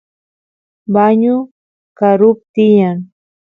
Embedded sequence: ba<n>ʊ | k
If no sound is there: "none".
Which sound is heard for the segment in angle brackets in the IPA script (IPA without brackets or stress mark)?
ɲ